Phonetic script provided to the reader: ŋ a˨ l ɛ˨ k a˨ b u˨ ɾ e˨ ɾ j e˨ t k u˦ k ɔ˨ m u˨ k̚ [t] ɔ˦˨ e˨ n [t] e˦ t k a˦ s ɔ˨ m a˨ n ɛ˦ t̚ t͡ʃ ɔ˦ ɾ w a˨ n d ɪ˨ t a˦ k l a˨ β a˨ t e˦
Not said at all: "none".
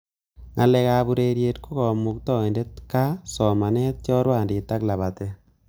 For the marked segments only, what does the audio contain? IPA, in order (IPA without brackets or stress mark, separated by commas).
t, d